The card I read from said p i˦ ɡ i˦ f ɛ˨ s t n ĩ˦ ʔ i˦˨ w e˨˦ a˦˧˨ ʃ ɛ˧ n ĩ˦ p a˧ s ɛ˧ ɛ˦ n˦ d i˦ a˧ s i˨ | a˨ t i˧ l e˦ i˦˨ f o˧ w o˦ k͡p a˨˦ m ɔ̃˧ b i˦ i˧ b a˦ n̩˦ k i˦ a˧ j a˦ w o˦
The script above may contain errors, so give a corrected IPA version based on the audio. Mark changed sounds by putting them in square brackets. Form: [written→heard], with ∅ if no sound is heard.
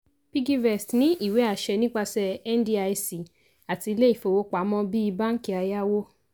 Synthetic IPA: p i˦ ɡ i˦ [f→v] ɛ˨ s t n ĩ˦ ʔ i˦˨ w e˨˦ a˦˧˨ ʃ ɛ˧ n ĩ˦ [p→k͡p] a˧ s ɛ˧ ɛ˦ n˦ d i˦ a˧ s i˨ | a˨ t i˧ l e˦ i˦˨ f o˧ w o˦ k͡p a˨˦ m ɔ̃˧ b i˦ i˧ b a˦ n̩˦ k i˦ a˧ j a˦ w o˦